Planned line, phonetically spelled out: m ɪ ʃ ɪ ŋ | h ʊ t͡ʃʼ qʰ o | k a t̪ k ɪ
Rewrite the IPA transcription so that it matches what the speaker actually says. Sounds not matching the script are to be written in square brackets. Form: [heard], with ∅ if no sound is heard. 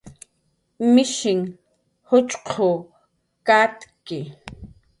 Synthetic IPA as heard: m ɪ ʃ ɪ ŋ | h ʊ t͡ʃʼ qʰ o | k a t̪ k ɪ